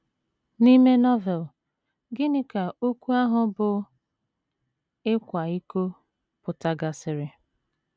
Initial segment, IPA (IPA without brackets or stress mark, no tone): n